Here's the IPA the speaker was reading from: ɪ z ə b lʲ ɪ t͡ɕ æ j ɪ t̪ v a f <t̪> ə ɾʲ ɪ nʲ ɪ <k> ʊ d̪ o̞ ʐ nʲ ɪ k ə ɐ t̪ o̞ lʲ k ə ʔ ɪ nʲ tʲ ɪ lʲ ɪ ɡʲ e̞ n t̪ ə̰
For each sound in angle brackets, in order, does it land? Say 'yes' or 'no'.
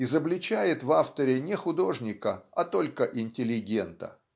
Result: yes, no

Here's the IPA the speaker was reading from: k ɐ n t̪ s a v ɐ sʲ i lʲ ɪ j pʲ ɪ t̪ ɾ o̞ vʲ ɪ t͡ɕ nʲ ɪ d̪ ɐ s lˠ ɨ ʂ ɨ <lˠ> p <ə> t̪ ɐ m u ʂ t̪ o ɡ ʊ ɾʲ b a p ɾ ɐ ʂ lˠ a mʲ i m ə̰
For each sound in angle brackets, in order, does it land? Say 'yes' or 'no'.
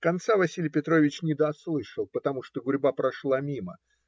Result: yes, yes

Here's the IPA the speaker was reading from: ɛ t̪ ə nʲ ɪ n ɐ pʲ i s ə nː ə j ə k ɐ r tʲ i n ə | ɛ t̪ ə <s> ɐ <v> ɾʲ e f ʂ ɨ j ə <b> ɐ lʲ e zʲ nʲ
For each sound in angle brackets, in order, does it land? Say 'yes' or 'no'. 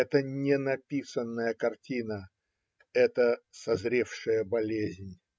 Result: yes, no, yes

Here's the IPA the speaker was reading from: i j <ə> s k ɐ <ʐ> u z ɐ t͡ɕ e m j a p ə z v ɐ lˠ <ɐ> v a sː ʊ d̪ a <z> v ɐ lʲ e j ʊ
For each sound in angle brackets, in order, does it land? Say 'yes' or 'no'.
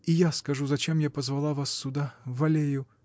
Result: no, yes, no, no

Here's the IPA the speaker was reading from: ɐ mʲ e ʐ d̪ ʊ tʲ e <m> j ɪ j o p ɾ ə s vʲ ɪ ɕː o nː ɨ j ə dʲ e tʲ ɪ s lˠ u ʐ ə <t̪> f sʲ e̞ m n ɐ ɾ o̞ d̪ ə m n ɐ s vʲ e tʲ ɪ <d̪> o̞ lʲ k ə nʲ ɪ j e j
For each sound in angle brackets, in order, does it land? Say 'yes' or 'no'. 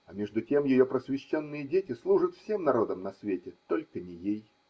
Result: yes, yes, no

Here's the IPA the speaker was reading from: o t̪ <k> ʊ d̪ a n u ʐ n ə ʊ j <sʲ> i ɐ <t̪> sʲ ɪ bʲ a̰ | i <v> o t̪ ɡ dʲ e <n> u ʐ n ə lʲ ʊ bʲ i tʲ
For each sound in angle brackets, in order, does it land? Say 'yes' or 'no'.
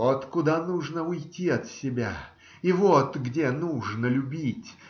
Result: yes, no, yes, yes, yes

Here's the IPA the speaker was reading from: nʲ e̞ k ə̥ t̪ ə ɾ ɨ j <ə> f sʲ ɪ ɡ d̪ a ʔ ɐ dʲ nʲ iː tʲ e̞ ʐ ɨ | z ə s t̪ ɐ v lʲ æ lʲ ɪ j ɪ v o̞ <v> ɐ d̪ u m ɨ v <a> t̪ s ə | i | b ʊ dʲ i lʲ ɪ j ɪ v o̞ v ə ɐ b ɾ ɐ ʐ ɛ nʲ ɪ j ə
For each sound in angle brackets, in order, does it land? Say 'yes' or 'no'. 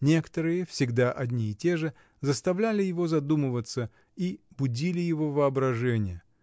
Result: yes, no, no

